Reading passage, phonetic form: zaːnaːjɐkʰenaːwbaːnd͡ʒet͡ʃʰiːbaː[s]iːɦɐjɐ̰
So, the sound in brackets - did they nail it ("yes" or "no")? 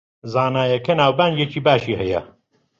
no